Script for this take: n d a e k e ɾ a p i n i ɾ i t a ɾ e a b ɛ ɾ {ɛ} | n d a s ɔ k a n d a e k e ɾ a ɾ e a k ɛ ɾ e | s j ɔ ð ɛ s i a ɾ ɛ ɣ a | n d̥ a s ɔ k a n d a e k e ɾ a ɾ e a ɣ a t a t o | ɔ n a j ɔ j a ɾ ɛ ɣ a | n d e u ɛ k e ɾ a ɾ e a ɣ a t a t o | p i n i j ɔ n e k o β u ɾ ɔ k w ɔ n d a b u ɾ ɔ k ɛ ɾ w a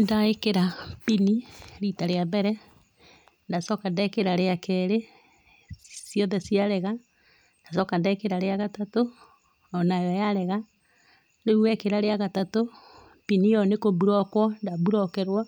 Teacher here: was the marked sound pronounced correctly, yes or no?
yes